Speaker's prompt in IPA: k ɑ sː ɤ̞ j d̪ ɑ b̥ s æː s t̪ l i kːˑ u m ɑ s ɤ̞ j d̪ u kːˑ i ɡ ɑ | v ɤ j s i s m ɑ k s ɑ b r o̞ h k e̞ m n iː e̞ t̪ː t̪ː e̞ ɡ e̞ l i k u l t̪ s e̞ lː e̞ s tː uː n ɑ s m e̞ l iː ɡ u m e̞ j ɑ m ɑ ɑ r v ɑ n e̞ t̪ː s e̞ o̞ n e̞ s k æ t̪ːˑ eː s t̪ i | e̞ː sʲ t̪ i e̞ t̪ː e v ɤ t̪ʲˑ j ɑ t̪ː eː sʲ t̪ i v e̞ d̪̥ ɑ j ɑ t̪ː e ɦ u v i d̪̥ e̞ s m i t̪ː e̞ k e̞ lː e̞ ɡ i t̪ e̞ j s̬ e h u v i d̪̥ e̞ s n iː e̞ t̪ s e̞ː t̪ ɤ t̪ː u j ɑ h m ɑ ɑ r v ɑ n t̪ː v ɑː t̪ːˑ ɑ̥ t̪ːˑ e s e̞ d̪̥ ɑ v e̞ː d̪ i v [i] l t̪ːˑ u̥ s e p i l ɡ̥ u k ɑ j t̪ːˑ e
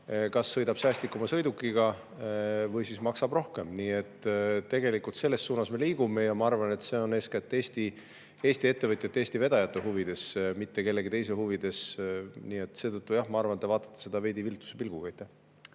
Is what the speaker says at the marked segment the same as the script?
yes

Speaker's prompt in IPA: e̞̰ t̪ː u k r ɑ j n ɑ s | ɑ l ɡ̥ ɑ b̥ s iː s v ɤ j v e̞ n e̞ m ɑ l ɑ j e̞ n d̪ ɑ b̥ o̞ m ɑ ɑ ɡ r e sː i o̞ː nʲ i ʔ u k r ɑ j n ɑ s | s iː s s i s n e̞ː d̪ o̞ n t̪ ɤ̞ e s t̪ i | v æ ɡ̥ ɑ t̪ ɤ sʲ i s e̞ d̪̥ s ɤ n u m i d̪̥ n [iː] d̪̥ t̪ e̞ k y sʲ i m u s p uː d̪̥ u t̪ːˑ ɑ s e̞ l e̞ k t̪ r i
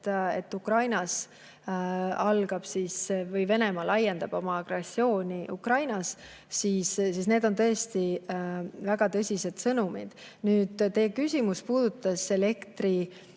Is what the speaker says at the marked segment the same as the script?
no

